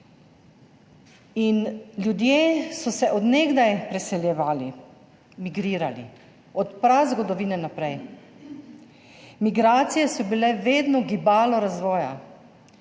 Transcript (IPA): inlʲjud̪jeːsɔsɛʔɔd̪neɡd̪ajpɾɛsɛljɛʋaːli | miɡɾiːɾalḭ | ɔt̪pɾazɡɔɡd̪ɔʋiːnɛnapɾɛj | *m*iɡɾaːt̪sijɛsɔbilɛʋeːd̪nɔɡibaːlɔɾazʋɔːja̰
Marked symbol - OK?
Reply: yes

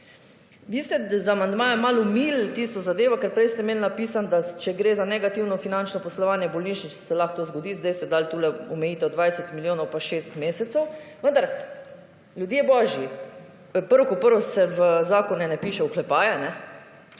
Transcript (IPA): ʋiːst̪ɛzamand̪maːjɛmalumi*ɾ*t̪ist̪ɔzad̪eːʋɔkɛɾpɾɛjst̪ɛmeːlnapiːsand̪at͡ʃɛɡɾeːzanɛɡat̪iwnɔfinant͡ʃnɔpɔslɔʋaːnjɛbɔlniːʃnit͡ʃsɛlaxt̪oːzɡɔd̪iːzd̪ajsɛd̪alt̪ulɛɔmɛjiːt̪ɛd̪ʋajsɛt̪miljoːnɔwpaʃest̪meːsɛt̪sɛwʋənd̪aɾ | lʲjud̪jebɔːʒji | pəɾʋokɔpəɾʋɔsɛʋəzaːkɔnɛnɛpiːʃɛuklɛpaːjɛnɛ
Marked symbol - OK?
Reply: no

